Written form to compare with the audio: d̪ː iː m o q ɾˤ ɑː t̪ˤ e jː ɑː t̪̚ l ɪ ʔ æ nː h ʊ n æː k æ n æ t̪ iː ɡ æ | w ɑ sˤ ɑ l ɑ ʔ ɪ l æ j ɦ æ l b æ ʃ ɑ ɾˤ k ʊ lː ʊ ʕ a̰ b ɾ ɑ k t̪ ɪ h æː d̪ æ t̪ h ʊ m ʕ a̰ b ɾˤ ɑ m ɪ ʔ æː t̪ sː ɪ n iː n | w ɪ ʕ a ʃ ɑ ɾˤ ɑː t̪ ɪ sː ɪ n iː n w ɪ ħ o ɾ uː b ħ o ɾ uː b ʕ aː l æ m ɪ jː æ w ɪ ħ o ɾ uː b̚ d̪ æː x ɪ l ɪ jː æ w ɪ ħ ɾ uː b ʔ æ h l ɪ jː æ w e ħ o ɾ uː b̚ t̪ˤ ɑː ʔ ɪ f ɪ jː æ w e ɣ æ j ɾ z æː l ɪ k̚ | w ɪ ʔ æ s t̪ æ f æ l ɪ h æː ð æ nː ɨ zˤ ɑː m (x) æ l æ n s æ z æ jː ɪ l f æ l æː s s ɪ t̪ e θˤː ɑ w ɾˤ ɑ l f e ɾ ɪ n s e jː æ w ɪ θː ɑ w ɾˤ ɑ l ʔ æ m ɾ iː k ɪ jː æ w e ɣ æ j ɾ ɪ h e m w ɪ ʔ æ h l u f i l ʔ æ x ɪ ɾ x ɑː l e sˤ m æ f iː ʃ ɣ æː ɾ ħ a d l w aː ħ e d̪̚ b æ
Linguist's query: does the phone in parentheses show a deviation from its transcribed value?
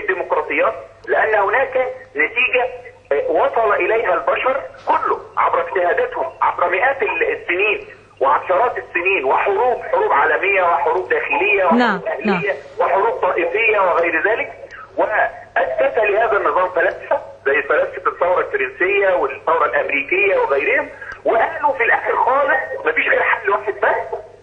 yes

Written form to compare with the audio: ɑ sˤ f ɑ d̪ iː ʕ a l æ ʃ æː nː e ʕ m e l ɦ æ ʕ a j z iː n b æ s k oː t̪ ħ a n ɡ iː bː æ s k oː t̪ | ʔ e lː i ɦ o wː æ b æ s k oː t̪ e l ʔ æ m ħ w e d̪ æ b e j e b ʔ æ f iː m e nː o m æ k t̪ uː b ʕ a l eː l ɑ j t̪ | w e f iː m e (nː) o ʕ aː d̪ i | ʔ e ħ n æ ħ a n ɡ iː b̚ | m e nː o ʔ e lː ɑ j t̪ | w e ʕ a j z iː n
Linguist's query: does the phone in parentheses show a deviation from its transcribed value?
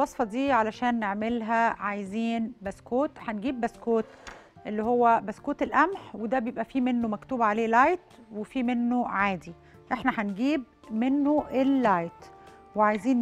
no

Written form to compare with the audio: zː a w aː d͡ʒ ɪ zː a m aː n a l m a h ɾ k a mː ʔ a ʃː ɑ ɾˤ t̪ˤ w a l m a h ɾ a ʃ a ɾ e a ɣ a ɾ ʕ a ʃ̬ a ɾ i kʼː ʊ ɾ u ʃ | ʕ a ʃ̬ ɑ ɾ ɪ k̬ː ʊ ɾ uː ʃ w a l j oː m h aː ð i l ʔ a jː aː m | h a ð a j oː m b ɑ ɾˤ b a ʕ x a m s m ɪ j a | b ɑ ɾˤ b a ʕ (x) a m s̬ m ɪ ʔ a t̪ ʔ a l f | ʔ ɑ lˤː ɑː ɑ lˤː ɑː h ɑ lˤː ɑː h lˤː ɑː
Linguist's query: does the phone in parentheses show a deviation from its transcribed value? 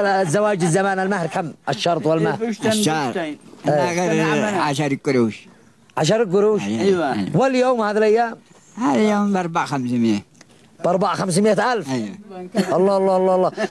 no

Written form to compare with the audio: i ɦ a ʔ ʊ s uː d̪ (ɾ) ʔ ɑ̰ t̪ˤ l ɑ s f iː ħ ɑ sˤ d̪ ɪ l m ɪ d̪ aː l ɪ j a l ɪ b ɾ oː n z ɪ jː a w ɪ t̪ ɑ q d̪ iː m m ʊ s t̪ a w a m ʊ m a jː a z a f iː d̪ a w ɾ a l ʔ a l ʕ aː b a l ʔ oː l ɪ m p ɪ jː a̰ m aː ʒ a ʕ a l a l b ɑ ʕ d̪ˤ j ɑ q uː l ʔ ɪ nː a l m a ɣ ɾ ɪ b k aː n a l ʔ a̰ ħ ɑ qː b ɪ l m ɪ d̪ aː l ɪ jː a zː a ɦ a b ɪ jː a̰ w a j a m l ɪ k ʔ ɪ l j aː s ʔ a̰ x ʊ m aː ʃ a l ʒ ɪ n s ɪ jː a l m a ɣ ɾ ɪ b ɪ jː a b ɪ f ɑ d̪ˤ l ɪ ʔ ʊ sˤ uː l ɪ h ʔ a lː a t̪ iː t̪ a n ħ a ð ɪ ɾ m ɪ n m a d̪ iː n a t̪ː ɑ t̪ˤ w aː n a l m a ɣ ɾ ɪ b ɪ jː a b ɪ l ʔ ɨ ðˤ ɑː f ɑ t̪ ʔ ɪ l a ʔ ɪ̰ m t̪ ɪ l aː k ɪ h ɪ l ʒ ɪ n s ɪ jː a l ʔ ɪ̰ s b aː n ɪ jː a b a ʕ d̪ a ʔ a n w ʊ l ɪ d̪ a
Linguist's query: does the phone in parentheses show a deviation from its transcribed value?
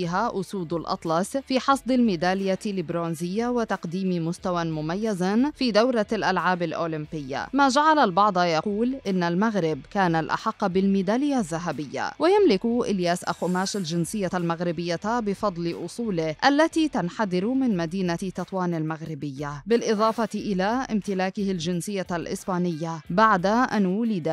yes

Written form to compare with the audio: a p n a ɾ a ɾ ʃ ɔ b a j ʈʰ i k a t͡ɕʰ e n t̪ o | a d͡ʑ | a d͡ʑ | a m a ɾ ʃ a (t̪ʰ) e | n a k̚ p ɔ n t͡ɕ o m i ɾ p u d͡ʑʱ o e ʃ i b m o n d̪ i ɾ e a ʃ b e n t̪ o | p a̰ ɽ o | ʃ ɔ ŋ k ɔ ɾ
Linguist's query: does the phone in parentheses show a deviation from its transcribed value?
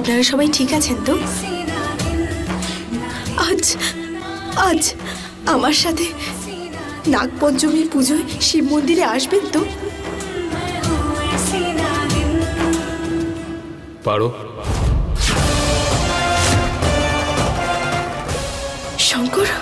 no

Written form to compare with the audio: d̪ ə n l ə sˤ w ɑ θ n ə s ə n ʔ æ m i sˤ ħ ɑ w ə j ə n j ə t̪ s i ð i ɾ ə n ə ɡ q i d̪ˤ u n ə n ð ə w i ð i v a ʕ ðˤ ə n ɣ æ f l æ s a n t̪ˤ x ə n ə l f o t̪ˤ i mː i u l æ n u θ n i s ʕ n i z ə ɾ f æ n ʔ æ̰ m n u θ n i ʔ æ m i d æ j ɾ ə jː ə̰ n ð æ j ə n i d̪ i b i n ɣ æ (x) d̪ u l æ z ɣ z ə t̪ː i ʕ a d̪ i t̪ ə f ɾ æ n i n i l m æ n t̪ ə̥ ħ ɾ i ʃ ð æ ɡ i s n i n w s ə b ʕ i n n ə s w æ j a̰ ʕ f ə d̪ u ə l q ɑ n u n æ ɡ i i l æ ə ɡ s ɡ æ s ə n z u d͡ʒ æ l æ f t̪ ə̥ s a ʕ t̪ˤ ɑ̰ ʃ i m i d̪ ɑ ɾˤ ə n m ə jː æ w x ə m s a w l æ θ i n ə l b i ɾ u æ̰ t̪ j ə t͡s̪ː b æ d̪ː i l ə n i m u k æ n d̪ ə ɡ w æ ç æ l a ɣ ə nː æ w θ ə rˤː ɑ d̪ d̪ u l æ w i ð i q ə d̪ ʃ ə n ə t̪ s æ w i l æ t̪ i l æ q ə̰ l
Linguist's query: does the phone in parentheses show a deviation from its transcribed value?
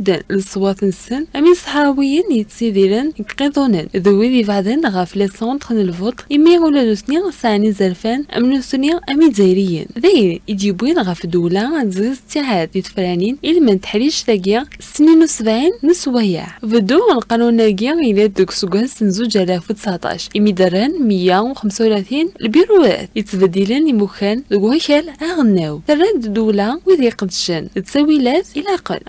yes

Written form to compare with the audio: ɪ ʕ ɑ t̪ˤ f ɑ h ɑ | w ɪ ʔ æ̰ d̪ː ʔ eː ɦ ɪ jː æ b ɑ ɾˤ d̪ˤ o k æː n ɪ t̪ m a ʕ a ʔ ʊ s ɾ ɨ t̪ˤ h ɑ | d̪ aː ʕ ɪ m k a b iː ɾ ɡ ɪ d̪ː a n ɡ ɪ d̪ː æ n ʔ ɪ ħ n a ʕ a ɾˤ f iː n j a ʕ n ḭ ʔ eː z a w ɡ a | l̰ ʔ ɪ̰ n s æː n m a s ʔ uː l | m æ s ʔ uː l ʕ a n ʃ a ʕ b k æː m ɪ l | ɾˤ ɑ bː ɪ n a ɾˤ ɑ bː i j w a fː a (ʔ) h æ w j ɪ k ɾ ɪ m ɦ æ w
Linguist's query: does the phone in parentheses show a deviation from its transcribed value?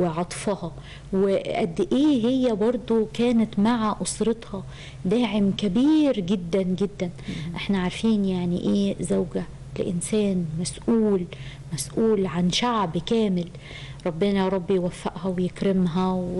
no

